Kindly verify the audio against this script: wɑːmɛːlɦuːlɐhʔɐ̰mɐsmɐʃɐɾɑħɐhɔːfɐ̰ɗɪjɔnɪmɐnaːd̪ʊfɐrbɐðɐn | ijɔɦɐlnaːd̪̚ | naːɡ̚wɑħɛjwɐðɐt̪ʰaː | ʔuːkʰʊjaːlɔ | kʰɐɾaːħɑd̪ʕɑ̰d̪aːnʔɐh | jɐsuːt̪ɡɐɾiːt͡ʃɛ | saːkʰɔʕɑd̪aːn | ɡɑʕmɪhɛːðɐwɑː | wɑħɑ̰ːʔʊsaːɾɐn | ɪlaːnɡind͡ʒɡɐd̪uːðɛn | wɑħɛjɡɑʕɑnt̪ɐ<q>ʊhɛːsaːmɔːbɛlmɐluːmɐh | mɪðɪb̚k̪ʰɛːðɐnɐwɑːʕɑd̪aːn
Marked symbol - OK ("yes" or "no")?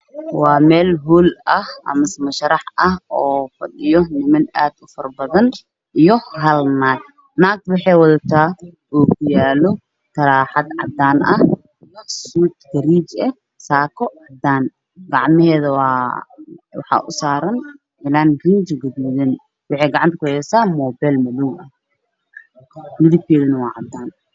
no